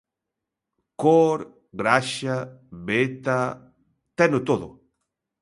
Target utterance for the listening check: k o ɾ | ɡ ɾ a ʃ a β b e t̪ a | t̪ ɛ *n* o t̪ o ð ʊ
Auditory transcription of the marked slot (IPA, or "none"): n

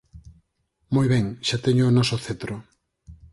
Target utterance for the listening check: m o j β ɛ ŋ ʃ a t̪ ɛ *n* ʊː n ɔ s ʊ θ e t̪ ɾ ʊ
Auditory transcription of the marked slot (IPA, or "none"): ɲ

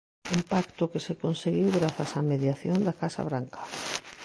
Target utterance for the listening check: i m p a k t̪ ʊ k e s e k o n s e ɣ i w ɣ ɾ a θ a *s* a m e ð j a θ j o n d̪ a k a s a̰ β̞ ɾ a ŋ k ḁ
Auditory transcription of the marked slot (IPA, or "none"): s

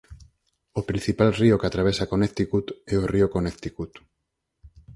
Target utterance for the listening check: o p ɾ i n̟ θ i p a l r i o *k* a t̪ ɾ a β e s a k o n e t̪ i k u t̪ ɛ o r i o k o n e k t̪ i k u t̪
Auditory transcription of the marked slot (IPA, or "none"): k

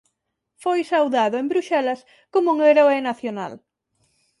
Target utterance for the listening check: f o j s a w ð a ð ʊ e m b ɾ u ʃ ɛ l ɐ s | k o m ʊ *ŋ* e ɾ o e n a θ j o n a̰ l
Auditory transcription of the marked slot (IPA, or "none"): ŋ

